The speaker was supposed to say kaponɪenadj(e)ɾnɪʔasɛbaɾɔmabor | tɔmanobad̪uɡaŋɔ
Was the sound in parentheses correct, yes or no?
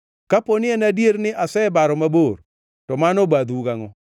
yes